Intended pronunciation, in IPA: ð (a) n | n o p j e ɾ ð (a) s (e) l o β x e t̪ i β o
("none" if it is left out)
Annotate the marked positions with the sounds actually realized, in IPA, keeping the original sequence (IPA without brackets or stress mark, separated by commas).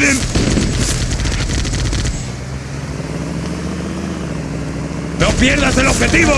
e, a, e